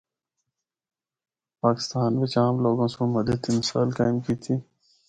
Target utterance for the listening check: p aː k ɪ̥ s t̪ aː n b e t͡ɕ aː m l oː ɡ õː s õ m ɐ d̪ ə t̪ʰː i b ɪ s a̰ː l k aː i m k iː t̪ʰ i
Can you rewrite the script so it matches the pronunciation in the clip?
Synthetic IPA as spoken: p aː k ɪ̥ s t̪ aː n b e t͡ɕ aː m l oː ɡ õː s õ m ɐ d̪ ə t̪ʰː i m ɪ s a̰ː l k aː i m k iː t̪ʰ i